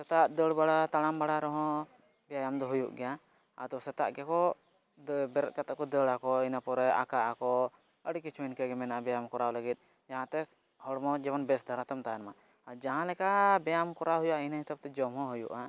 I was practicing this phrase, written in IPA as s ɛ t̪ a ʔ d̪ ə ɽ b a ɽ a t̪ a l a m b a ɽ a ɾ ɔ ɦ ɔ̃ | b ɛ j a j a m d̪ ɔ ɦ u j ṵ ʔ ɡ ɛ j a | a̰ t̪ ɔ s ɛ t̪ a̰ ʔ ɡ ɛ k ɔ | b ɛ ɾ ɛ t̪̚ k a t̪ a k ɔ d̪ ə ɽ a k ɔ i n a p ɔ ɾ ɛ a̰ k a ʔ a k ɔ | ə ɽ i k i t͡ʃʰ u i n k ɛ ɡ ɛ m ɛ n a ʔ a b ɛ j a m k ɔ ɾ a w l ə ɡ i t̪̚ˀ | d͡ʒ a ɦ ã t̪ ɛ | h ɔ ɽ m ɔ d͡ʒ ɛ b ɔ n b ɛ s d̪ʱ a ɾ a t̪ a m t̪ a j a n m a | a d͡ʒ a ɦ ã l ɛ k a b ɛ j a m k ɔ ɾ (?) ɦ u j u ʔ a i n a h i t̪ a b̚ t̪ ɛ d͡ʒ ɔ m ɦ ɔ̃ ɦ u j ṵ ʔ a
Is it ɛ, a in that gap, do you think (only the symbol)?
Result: a